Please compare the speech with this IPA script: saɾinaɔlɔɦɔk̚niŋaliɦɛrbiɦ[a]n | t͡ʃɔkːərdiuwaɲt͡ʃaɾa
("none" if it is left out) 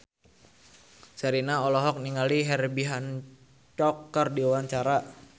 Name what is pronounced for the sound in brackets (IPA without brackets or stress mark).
a